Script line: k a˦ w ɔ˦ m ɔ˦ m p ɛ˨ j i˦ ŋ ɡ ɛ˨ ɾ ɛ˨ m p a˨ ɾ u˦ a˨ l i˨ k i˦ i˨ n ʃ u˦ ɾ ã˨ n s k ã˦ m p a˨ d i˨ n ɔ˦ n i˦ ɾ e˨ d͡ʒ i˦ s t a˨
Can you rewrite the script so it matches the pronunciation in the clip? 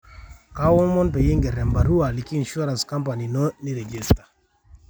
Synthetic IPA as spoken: k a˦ w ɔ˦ m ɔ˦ n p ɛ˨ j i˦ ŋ ɡ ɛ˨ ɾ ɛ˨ m b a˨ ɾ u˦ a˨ l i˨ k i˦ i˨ n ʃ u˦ ɾ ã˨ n s k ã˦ m p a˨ n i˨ n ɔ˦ n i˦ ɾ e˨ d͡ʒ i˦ s t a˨